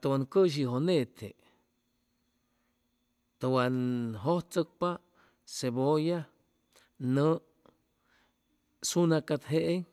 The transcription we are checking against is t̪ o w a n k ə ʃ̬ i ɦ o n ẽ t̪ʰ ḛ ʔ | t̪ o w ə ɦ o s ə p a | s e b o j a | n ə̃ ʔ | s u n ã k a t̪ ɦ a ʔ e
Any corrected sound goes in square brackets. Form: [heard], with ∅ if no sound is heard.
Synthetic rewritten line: t̪ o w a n k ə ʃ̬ i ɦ o n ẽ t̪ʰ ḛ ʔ | t̪ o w [a] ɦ o [t͡s] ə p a | s e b o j a | n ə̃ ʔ | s u n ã k a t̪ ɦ [e] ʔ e